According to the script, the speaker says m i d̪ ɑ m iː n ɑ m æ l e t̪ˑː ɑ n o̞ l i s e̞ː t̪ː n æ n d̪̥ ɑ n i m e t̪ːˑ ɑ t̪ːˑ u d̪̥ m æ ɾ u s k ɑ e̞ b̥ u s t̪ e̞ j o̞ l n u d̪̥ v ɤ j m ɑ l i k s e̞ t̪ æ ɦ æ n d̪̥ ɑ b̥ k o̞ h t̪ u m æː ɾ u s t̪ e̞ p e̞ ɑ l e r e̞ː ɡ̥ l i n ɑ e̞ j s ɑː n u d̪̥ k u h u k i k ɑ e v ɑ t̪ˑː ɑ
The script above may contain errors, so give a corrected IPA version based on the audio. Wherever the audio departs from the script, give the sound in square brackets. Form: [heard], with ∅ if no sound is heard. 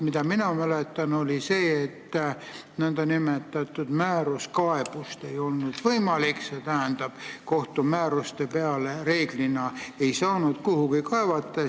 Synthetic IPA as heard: m i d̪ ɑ m [i] n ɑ m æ l e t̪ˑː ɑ n o̞ l i s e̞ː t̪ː n æ n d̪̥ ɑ n i m e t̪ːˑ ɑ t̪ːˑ u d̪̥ m [æː] ɾ u s k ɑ e̞ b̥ u s t̪ e̞ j o̞ l n u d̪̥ v ɤ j m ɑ l i k s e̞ t̪ æ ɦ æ n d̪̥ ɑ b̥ k o̞ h t̪ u m æː ɾ u s t̪ e̞ p e̞ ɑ l e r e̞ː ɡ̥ l i n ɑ e̞ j s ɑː n u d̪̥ k u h u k i k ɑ e v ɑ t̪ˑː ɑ